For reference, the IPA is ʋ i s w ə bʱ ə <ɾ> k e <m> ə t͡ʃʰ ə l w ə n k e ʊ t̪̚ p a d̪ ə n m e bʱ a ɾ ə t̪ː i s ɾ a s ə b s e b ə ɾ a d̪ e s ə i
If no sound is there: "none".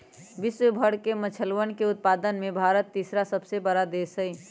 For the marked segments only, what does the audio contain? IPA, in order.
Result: ɽ, m

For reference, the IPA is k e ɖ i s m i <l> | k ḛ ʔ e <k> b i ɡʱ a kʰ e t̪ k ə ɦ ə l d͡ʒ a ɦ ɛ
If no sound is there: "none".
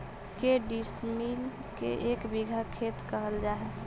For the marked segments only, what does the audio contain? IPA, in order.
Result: l, k

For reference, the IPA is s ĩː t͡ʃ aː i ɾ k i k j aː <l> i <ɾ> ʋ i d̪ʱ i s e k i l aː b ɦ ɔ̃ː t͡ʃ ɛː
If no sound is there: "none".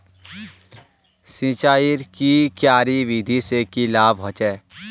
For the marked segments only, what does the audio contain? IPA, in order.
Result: ɾ, none

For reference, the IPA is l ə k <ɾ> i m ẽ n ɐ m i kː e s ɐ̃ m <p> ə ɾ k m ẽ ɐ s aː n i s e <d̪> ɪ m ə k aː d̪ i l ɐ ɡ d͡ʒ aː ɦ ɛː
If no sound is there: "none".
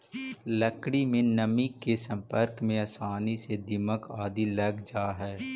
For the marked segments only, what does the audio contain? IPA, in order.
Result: ɽ, p, d̪

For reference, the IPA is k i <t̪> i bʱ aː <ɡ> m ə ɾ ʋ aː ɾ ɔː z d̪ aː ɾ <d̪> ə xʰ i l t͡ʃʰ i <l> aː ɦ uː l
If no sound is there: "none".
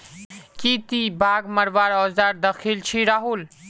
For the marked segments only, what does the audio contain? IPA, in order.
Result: t̪, ɡ, d̪, ɾ

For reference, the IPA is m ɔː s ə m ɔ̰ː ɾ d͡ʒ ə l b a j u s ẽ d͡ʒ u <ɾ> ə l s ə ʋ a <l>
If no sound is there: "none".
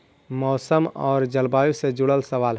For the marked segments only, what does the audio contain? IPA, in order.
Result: ɽ, l

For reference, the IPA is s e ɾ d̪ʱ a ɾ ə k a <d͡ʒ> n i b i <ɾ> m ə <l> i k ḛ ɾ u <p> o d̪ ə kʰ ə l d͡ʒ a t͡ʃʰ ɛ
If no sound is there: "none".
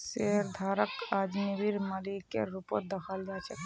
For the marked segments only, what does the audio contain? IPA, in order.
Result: d͡ʒ, ɾ, l, p

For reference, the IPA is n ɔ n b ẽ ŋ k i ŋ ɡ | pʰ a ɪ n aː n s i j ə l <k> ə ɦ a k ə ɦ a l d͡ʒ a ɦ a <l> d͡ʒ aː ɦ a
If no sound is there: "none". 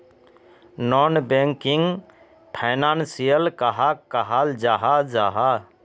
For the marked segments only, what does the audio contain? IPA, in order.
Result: k, none

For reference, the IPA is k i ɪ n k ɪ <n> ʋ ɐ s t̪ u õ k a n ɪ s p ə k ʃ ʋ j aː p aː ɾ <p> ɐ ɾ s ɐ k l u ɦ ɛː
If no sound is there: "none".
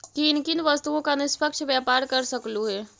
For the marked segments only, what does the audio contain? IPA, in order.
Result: n, k

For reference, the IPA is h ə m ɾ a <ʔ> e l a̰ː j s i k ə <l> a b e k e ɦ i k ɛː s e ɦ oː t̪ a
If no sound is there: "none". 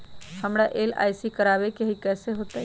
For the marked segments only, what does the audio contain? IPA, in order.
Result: ʔ, ɾ

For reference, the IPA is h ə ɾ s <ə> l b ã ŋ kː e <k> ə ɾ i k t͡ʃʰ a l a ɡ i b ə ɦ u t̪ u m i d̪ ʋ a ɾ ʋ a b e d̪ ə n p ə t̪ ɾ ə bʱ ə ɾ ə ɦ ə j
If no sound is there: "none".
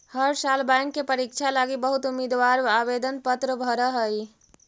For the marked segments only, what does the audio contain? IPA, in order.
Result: a, p

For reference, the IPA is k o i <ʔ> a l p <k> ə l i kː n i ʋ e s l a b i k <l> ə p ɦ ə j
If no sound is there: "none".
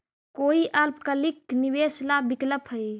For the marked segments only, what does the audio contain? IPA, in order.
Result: ʔ, k, l

